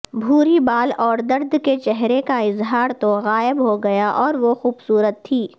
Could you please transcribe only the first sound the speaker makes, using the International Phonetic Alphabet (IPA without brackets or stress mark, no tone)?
bʱ